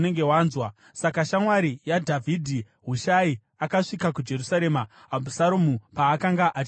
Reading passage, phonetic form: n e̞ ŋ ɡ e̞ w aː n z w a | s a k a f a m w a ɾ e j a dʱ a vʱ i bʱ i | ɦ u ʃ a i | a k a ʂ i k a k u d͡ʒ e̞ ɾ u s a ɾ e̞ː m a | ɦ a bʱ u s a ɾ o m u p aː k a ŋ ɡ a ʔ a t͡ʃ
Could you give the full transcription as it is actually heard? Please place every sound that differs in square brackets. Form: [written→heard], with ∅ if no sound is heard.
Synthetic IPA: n e̞ ŋ ɡ e̞ w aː n z w a | s a k a [f→ʃ] a m w a ɾ [e→i] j a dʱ a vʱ i [bʱ→dʱ] i | ɦ u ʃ a i | a k a ʂ i k a k u d͡ʒ e̞ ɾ u s a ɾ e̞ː m a | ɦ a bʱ u s a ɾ o m u p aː k a ŋ ɡ a ʔ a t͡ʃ

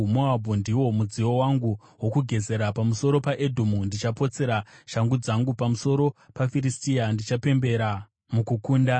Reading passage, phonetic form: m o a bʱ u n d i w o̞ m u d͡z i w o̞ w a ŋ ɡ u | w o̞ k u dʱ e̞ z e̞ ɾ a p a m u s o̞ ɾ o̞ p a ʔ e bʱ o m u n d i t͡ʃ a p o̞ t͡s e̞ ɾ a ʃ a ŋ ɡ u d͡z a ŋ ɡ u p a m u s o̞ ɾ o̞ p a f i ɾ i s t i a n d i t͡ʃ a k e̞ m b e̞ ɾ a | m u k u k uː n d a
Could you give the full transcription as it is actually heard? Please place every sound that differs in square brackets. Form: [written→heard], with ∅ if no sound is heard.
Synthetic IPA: m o a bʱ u n d i w o̞ m u d͡z i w o̞ w a ŋ ɡ u | w o̞ k u [dʱ→ɡʱ] e̞ z e̞ ɾ a p a m u s o̞ ɾ o̞ p a ʔ e [bʱ→dʱ] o m u n d i t͡ʃ a p o̞ t͡s e̞ ɾ a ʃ a ŋ ɡ u d͡z a ŋ ɡ u p a m u s o̞ ɾ o̞ p a f i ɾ i s t i a n d i t͡ʃ a [k→p] e̞ m b e̞ ɾ a | m u k u k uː n d a

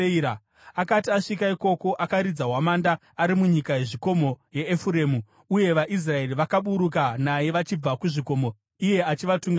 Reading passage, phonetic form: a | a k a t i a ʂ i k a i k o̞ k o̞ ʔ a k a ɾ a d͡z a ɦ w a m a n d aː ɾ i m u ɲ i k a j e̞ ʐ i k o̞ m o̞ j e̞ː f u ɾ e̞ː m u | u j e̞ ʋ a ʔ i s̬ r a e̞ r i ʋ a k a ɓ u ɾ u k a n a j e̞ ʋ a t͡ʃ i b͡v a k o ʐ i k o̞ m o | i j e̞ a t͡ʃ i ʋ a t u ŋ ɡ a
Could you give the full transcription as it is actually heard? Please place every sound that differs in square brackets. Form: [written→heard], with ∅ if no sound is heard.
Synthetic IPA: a | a k a t i a ʂ i k a i k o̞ k o̞ ʔ a k a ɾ [a→i] d͡z a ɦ w a m a n d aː ɾ i m u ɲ i k a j e̞ ʐ i k o̞ m o̞ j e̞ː f u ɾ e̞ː m u | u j e̞ ʋ a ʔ i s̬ r a e̞ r i ʋ a k a ɓ u ɾ u k a n a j e̞ ʋ a t͡ʃ i b͡v a k [o→u] ʐ i k o̞ m o | i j e̞ a t͡ʃ i ʋ a t u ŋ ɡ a

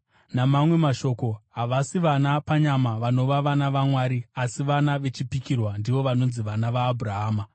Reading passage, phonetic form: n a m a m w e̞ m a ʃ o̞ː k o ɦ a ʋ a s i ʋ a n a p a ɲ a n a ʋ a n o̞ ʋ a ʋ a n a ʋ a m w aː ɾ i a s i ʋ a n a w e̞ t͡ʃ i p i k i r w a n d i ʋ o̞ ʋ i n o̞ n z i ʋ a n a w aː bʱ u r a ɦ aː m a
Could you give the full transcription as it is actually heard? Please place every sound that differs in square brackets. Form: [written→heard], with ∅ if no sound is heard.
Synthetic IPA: n a m a m w e̞ m a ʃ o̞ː k o ɦ a ʋ a s i ʋ a n a p a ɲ a [n→m] a ʋ a n o̞ ʋ a ʋ a n a ʋ a m w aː ɾ i a s i ʋ a n a [w→ʋ] e̞ t͡ʃ i p i k i r w a n d i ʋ o̞ ʋ [i→a] n o̞ n z i ʋ a n a [w→ʋ] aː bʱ u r a ɦ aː m a

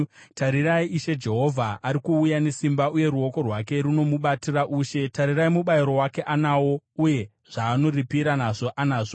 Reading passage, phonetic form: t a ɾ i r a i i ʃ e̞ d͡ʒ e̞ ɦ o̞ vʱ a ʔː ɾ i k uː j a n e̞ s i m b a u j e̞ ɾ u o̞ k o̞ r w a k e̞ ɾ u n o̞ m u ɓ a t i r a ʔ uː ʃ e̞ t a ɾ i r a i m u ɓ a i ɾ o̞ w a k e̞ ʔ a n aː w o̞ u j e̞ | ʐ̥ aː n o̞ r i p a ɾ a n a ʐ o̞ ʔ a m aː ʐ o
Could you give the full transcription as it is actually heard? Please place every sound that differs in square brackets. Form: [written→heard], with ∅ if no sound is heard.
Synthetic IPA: t a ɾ i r a i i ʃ e̞ d͡ʒ e̞ ɦ o̞ vʱ a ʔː ɾ i k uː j a n e̞ s i m b a u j e̞ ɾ u o̞ k o̞ r w a k e̞ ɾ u n o̞ m u ɓ a t i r a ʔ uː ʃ e̞ t a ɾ i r a i m u ɓ a i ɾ o̞ w a k e̞ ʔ a n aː w o̞ u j e̞ | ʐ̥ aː n o̞ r i p [a→i] ɾ a n a ʐ o̞ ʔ a [m→n] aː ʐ o

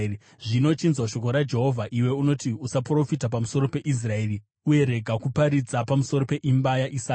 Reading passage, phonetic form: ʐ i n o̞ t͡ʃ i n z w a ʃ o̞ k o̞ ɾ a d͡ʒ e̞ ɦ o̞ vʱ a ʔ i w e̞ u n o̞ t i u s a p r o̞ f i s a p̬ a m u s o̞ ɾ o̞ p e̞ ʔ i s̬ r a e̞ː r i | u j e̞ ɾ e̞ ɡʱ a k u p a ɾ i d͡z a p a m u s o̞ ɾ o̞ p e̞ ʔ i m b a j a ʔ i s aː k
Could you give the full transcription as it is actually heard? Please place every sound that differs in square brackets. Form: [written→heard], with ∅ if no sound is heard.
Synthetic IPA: ʐ i n o̞ t͡ʃ i n z w a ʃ o̞ k o̞ ɾ a d͡ʒ e̞ ɦ o̞ vʱ a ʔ i w e̞ u n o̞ t i u s a p r o̞ f i [s→t] a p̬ a m u s o̞ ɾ o̞ p e̞ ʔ i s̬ r a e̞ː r i | u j e̞ ɾ e̞ ɡʱ a k u p a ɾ i d͡z a p a m u s o̞ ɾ o̞ p e̞ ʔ i m b a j a ʔ i s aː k

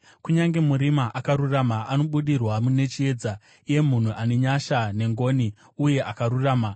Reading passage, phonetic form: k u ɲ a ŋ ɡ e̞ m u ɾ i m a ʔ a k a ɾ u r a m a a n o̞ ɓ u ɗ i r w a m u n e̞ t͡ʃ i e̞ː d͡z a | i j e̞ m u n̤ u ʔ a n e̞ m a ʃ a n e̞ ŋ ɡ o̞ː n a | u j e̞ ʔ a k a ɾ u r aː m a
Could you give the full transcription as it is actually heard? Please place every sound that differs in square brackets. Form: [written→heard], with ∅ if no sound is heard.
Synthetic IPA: k u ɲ a ŋ ɡ e̞ m u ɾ i m a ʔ a k a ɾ u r a m a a n o̞ ɓ u ɗ i r w a m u n e̞ t͡ʃ i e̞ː d͡z a | i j e̞ m u n̤ u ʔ a n e̞ [m→ɲ] a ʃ a n e̞ ŋ ɡ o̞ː n [a→i] | u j e̞ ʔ a k a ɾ u r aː m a

